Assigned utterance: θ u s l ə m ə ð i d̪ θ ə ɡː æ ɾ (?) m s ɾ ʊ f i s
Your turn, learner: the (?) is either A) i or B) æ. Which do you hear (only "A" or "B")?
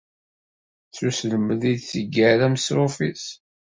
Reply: B